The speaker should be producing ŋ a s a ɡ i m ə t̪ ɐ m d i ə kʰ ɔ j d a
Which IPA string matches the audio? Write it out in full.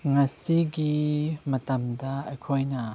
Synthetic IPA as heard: ŋ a s i ɡ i m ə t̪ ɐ m d a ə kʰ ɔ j n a